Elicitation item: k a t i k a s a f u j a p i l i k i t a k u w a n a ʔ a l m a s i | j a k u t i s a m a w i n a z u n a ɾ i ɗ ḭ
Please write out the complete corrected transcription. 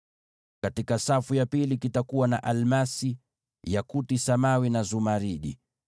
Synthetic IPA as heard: k a t i k a s a f u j a p i l i k i t a k u w a n a ʔ a l m a s i | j a k u t i s a m a w i n a z u m a ɾ i ɗ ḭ